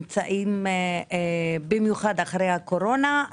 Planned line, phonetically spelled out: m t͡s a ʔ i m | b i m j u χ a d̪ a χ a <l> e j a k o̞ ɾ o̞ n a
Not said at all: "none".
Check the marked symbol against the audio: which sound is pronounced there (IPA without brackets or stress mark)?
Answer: ɾ